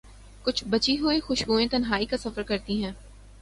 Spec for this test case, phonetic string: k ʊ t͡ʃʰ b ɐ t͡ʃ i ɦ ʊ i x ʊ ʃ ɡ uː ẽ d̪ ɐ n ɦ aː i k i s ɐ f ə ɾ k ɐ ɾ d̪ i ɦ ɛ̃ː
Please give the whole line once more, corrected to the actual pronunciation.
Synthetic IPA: k ʊ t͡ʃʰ b ɐ t͡ʃ i ɦ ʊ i x ʊ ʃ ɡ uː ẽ t̪ ɐ n ɦ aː i k a s ɐ f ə ɾ k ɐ ɾ t̪ i ɦ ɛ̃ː